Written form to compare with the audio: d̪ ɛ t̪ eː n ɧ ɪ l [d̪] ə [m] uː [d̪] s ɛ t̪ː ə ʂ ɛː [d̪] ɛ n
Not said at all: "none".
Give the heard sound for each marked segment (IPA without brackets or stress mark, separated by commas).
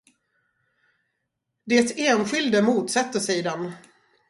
d̪, m, t̪, d̪